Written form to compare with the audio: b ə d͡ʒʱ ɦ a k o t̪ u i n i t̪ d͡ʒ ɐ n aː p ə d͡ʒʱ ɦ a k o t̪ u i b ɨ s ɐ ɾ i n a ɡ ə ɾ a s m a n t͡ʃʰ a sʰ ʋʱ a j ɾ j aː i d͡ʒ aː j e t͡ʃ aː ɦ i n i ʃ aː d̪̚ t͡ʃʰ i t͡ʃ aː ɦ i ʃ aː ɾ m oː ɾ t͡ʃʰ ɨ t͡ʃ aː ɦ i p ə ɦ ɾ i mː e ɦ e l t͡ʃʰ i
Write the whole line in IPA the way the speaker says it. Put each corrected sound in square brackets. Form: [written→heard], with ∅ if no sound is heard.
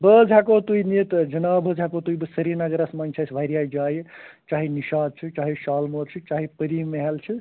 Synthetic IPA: b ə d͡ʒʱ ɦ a k o t̪ u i n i t̪ d͡ʒ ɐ n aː [p→b] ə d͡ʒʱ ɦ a k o t̪ u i b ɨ s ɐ ɾ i n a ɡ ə ɾ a s m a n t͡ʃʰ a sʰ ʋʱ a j ɾ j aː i d͡ʒ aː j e t͡ʃ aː ɦ i n i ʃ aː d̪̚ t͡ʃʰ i t͡ʃ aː ɦ i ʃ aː [ɾ→l] m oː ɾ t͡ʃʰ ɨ t͡ʃ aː ɦ i p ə [ɦ→∅] ɾ i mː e ɦ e l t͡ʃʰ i